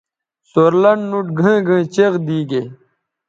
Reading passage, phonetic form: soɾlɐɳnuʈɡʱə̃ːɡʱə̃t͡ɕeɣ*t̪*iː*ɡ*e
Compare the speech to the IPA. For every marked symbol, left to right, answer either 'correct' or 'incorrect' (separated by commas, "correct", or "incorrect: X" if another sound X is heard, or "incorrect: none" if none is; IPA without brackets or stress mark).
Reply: incorrect: d̪, correct